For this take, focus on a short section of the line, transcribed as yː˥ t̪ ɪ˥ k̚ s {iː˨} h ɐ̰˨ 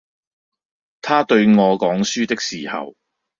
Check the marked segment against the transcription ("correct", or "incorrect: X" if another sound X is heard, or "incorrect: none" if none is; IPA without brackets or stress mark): correct